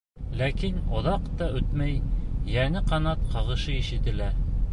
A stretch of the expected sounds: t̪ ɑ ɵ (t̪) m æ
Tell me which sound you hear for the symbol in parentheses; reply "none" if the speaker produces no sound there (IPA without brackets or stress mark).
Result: t̪